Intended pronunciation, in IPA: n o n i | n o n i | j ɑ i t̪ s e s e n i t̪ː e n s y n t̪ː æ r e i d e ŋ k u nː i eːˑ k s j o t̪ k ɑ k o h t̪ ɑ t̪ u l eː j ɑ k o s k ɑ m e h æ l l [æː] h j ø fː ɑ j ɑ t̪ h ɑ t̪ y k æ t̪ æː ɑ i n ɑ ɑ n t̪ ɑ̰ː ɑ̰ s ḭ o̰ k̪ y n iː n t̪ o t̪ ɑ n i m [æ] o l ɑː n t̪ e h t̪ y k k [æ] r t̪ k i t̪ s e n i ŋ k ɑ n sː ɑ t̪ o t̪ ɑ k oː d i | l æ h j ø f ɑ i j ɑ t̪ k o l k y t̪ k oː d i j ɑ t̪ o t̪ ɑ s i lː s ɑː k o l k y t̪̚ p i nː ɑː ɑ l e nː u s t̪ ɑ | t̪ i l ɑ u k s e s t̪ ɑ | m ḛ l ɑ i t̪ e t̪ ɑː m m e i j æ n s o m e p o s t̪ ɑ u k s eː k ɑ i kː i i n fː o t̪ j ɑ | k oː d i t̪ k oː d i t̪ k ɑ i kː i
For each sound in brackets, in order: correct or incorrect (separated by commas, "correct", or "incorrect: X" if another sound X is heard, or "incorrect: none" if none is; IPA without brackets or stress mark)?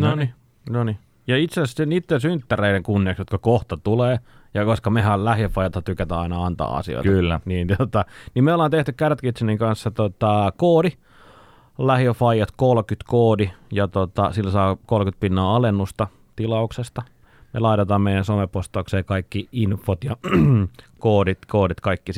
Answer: incorrect: æ, incorrect: e, correct